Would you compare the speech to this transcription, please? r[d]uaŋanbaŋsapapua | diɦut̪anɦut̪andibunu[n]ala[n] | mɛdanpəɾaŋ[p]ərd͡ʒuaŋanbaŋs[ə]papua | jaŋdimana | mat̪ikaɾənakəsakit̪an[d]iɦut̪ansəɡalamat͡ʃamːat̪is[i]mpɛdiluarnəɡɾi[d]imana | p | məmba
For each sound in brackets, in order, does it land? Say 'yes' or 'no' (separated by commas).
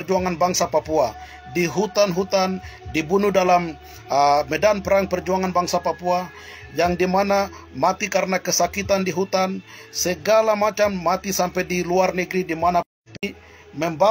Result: no, no, no, yes, no, yes, no, yes